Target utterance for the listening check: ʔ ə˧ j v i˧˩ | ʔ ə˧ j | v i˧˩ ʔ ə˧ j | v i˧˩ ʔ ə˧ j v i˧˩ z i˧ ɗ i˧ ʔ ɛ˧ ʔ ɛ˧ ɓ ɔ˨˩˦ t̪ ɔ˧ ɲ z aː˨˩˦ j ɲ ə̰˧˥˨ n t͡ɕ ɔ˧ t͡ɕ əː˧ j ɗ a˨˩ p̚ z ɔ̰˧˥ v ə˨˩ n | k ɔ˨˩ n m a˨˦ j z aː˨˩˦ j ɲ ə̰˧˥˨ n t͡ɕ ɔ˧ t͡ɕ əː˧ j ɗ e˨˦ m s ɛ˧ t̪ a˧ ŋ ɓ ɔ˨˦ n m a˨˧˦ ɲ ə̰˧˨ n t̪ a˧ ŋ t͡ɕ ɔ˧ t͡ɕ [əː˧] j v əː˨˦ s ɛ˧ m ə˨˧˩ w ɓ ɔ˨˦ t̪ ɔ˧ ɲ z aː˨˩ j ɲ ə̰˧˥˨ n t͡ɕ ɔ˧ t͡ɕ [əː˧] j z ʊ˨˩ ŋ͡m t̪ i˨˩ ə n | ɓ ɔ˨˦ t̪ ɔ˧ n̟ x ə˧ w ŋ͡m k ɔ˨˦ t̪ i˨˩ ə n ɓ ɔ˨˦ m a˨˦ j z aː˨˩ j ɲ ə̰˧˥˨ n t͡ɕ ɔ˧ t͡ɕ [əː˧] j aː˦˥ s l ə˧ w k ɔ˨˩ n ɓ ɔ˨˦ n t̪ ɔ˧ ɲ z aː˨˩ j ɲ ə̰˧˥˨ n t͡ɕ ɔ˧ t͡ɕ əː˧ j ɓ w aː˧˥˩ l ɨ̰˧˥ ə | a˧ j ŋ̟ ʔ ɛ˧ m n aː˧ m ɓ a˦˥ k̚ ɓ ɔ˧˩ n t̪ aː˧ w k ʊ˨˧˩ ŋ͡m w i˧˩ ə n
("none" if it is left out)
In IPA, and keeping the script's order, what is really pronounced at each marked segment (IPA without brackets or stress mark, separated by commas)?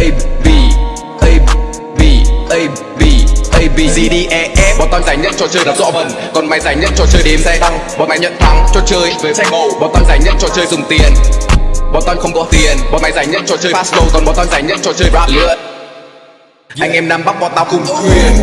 əː˧, əː˧, əː˧